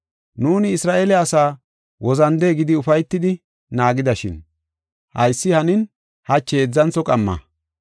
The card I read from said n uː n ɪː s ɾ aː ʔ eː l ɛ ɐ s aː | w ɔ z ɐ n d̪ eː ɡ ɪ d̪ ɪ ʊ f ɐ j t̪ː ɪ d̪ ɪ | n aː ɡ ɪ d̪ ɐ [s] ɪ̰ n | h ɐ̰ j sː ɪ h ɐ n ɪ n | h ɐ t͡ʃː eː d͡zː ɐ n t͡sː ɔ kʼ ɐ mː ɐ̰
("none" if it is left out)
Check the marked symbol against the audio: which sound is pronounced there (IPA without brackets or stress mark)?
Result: ʃ